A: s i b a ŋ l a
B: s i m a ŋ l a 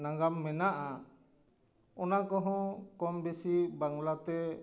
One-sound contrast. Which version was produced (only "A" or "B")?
A